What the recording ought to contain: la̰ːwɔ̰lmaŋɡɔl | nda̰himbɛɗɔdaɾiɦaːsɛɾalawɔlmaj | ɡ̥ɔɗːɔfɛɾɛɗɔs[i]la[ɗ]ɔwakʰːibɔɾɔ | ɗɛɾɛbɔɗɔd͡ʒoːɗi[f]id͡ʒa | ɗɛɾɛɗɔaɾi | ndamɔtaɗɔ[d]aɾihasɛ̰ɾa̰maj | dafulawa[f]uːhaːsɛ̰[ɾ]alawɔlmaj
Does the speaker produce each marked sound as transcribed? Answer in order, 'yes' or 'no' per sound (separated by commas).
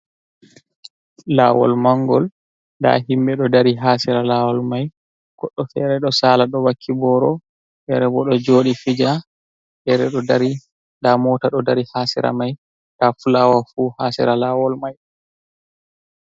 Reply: no, yes, yes, yes, yes, yes